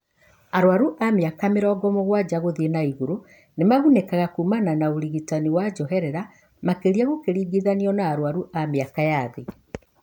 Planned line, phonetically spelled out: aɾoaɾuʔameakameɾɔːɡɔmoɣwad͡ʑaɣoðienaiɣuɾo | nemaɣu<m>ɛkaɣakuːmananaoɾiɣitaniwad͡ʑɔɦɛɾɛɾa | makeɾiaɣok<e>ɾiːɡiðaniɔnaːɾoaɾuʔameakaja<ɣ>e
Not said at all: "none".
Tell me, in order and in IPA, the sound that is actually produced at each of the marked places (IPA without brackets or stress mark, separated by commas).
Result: n, e, ð